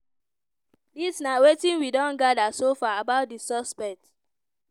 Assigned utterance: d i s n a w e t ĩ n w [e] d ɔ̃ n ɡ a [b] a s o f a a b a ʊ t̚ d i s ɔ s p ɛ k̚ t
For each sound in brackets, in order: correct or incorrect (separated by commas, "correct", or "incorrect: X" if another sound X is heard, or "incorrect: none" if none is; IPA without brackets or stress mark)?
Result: incorrect: i, incorrect: d